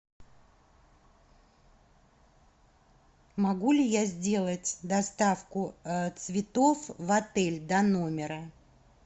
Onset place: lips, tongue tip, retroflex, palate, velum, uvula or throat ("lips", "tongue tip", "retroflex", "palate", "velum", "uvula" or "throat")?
lips